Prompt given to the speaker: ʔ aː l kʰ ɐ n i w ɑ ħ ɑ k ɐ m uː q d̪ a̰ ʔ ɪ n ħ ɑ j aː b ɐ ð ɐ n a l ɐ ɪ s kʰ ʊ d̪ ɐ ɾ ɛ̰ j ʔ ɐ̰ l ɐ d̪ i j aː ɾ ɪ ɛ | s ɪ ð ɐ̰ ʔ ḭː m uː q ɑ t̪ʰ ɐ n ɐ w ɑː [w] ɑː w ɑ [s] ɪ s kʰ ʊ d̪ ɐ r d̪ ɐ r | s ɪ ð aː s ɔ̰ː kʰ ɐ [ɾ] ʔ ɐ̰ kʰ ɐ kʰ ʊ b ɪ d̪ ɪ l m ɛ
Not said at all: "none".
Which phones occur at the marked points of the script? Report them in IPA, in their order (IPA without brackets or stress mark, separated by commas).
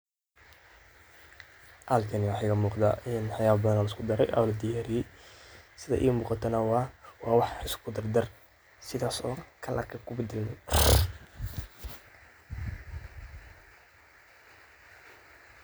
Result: w, ħ, l